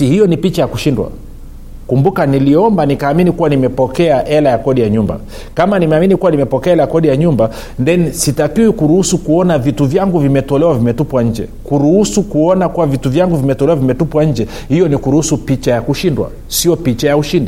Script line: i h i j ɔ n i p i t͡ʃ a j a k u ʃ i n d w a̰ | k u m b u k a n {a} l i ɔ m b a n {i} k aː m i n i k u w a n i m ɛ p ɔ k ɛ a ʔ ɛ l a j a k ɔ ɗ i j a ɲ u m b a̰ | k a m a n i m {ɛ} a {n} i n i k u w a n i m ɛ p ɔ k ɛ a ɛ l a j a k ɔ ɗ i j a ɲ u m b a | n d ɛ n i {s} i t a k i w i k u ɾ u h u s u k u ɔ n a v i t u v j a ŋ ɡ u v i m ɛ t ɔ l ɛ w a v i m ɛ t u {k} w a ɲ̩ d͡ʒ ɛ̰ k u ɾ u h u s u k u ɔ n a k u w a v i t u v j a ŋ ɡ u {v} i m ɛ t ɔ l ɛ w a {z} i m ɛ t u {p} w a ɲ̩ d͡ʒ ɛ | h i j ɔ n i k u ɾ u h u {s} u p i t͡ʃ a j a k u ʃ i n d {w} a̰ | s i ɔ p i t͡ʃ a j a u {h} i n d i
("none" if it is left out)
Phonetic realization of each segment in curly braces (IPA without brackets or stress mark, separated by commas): i, i, ɛ, m, s, p, v, v, p, s, w, ʃ